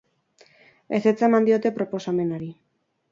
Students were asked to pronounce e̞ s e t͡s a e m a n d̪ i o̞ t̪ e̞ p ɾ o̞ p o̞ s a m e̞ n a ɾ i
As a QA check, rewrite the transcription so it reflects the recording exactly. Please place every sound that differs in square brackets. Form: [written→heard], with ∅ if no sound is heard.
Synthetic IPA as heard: e̞ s e t͡s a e m a n d̪ i o̞ t̪ e̞ p ɾ o̞ p o̞ s a m e̞ n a ɾ i